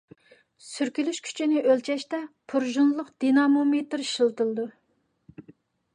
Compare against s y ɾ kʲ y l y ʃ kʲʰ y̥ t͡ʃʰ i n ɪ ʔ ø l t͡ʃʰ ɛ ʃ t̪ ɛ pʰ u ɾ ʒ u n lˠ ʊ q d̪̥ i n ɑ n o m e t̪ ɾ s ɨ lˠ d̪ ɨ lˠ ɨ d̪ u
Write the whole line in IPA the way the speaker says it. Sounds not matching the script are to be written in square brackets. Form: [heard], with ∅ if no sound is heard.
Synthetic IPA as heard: s y ɾ kʲ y l y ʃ kʲʰ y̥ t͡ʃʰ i n ɪ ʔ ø l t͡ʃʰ ɛ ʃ t̪ ɛ pʰ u ɾ ʒ u n lˠ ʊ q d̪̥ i n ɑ [m] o m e t̪ ɾ [ʃ] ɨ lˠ [t̪] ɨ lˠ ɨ d̪ u